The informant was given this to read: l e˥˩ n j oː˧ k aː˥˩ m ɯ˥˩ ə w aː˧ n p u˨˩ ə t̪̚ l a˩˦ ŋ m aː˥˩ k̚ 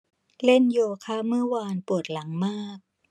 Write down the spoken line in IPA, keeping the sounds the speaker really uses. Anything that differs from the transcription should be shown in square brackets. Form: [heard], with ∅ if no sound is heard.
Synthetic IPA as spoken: l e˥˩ n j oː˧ [kʰ] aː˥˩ m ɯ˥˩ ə w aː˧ n p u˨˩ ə t̪̚ l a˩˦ ŋ m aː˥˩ k̚